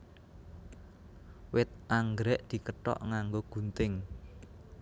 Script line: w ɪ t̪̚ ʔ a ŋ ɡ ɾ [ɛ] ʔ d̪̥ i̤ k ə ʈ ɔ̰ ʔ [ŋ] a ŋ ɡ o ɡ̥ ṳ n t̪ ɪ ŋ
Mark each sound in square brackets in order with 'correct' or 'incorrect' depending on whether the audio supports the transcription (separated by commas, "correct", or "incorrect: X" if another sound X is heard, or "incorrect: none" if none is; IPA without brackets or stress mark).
correct, correct